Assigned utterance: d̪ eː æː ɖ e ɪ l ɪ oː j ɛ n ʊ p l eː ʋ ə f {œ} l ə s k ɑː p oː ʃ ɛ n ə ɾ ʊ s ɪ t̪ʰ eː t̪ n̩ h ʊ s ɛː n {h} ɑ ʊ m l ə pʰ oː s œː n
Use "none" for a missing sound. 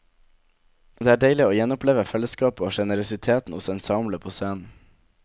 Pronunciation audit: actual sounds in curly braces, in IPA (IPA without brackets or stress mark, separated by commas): ɛ, s